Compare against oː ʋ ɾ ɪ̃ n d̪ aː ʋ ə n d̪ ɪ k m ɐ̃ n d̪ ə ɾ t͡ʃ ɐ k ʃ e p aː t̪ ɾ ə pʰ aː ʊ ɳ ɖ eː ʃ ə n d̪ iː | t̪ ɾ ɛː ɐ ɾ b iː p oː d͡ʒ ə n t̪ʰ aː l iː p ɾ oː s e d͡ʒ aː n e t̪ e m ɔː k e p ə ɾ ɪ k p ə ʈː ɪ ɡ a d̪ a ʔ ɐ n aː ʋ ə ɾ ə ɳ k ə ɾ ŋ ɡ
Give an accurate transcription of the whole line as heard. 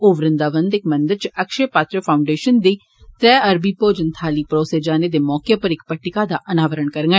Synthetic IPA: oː ʋ ɾ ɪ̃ n d̪ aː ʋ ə n d̪ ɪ k m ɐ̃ n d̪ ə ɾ t͡ʃ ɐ k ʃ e p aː t̪ ɾ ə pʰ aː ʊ ɳ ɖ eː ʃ ə n d̪ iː | t̪ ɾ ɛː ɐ ɾ b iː p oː d͡ʒ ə n t̪ʰ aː l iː p ɾ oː s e d͡ʒ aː n e d̪ e m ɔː k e p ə ɾ ɪ k p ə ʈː ɪ k a d̪ a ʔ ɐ n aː ʋ ə ɾ ə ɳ k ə ɾ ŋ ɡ